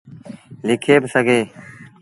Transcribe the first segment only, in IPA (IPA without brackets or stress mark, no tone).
l